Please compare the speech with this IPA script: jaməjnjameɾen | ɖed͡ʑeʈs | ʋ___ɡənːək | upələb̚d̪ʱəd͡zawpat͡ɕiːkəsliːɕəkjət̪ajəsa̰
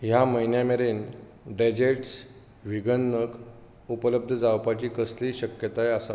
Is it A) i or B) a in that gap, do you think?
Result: A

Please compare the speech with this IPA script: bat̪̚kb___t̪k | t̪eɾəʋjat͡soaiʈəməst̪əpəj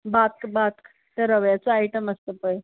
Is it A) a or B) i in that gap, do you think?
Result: A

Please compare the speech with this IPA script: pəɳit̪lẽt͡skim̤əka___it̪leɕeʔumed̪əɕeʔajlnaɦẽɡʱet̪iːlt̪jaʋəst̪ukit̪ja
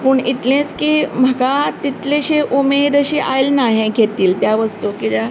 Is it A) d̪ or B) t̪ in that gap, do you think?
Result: B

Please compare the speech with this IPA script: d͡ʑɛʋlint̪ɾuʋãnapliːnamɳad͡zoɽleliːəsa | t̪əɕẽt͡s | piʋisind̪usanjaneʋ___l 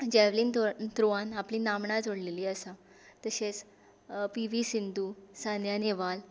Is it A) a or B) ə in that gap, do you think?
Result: A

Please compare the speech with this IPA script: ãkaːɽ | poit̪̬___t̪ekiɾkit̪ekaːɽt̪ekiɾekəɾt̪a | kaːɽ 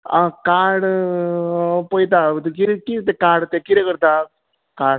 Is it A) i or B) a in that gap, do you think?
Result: B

